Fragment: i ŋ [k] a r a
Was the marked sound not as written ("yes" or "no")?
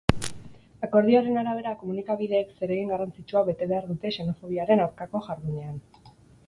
yes